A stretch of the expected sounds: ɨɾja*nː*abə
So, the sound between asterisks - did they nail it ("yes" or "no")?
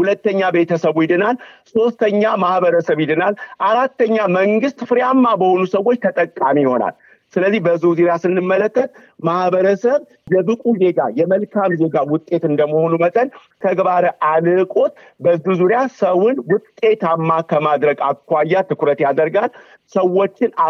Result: no